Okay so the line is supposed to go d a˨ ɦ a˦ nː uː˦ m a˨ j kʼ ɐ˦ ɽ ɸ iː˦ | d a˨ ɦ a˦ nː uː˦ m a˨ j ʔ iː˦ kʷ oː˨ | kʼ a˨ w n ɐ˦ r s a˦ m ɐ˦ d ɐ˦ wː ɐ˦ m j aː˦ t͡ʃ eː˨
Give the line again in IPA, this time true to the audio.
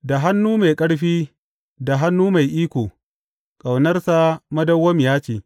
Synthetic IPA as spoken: d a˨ ɦ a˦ nː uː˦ m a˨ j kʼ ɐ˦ ɽ ɸ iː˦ | d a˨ ɦ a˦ nː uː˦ m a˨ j ʔ iː˦ kʷ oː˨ | kʼ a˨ w n ɐ˦ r s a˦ m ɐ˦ d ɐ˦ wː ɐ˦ m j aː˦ t͡ʃ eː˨